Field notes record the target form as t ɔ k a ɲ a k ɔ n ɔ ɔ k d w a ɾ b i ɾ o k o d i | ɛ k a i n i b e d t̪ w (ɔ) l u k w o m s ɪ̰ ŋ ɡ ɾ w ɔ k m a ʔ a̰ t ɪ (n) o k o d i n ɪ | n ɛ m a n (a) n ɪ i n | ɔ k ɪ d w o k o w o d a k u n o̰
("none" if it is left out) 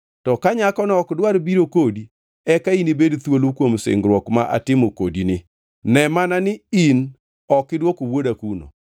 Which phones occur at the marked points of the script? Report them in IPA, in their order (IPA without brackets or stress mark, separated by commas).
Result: o, m, a